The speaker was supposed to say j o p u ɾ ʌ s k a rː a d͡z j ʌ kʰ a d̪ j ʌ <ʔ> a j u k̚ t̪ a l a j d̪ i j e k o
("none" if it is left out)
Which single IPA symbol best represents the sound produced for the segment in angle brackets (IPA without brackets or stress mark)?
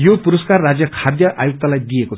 ʔ